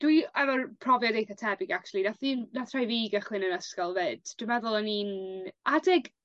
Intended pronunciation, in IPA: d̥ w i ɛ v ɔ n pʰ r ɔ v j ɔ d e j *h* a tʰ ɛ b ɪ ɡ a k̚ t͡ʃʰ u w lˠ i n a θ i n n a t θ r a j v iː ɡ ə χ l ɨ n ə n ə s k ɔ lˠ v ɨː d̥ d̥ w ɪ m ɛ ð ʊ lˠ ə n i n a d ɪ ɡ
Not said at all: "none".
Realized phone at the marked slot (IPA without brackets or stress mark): θ